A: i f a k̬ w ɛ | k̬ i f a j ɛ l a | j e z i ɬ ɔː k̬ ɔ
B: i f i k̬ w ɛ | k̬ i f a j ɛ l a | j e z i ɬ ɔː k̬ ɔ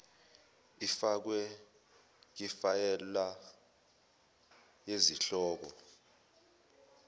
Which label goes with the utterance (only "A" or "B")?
A